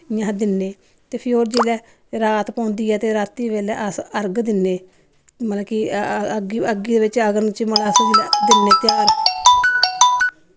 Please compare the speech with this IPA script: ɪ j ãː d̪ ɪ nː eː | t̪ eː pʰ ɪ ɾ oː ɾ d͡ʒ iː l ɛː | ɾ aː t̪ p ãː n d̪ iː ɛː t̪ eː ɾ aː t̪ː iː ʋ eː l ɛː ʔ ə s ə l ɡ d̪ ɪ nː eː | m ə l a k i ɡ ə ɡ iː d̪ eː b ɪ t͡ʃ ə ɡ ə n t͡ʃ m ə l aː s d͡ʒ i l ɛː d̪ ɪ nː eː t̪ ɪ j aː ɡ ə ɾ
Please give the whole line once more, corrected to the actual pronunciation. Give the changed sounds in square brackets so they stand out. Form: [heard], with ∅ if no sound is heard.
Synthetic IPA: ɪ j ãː d̪ ɪ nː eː | t̪ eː pʰ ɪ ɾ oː ɾ d͡ʒ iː l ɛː | ɾ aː t̪ p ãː n d̪ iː ɛː t̪ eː ɾ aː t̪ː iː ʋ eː l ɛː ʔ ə s ə [ɾ] ɡ d̪ ɪ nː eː | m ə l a k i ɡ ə ɡ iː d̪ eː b ɪ t͡ʃ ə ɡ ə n t͡ʃ m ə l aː s d͡ʒ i l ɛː d̪ ɪ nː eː t̪ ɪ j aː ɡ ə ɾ